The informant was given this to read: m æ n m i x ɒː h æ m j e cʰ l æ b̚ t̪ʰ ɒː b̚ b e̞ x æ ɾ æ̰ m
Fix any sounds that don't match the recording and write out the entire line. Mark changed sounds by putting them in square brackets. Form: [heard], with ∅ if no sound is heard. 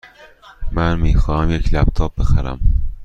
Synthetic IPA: m æ n m [iː] x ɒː h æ m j e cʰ l æ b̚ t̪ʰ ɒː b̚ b e̞ x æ ɾ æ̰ m